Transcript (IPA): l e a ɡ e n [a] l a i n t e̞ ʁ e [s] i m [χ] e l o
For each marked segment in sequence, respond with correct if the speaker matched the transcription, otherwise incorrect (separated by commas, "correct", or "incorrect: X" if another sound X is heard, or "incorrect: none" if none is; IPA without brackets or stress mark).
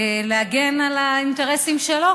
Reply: correct, correct, incorrect: ʃ